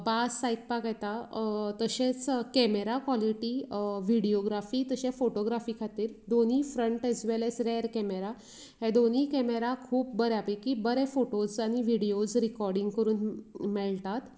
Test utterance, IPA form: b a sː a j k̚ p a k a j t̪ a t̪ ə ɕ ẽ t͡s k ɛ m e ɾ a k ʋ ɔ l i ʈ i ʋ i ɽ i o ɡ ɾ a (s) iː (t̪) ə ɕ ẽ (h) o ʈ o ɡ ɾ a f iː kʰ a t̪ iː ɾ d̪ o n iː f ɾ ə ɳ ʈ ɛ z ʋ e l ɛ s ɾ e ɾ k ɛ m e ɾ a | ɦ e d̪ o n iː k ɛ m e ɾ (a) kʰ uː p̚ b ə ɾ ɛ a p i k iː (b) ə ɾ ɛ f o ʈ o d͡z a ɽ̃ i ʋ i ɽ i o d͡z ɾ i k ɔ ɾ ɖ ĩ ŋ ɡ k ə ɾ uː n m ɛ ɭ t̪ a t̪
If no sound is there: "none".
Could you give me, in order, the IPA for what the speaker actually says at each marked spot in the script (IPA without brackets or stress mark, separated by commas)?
f, t̪, f, a, b